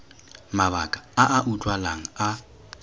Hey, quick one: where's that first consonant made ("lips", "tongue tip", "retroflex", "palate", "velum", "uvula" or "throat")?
lips